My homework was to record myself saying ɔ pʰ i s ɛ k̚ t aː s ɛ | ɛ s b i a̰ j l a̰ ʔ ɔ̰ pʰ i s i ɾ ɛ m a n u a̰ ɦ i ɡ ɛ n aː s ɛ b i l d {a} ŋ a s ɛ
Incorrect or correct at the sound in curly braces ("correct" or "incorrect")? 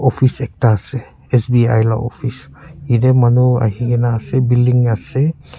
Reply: incorrect